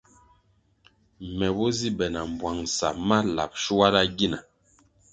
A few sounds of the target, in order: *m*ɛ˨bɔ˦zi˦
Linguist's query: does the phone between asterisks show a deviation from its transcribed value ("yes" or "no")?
no